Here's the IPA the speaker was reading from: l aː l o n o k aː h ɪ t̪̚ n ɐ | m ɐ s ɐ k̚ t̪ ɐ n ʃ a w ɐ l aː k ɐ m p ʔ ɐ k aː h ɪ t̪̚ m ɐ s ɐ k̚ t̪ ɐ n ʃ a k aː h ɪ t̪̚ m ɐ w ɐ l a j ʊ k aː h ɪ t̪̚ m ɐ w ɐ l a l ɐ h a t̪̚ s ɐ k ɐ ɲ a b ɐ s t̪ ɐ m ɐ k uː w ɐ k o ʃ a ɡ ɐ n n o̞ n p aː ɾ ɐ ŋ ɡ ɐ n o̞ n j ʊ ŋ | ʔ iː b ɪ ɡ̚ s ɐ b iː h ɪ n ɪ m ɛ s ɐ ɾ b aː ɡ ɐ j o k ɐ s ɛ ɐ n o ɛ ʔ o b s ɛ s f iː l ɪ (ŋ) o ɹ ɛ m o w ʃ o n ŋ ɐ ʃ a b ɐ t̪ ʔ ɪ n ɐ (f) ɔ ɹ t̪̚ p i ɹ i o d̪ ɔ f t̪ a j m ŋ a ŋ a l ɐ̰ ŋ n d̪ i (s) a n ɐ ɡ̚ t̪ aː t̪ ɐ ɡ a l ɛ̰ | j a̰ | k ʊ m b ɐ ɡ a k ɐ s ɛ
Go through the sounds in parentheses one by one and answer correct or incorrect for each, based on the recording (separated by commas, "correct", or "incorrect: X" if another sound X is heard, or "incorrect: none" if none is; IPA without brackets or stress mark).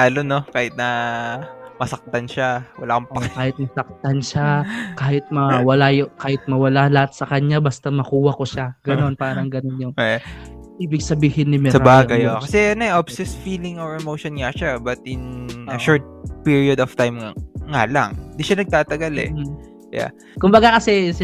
correct, incorrect: ʃ, incorrect: ʃ